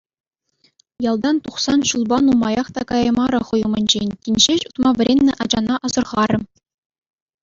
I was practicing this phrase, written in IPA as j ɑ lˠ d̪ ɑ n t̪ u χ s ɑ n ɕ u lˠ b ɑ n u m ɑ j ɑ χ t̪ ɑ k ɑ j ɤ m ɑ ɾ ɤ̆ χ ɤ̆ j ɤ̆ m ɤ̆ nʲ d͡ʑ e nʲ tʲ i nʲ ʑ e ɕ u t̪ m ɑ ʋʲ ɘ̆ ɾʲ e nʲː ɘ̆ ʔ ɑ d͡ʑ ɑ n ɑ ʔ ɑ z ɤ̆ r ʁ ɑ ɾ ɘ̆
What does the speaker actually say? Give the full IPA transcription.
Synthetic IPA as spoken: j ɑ lˠ d̪ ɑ n t̪ u χ s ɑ n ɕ u lˠ b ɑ n u m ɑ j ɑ χ t̪ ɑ k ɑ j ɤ m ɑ ɾ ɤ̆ χ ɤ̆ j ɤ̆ m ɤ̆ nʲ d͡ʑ e nʲ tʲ i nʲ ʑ e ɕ u t̪ m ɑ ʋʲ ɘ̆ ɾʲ e nʲː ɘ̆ ʔ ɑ d͡ʑ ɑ n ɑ ʔ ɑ z ɤ̆ r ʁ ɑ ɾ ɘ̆